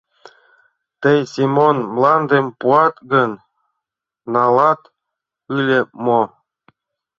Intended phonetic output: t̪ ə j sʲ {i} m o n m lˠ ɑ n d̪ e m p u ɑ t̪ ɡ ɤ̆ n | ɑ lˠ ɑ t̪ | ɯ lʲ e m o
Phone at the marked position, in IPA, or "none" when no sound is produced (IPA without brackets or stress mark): i